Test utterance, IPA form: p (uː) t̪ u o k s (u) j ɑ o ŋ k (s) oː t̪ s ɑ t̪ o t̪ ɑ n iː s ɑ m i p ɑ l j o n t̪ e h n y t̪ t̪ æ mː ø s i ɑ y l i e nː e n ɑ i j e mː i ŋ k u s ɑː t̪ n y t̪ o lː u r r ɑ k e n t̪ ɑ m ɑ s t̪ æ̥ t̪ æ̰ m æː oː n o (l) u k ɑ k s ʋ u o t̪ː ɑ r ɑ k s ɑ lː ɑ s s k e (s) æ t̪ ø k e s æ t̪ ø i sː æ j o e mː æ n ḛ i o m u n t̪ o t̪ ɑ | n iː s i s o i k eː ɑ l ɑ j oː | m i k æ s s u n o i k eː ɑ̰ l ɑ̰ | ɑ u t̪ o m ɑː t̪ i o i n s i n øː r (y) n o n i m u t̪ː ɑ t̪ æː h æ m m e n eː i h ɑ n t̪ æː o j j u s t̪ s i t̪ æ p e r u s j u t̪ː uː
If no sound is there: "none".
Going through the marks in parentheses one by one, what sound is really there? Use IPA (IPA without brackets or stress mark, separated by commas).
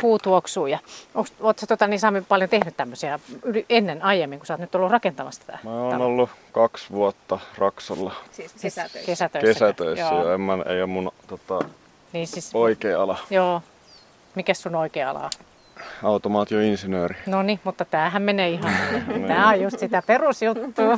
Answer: uː, uː, s, lː, s, i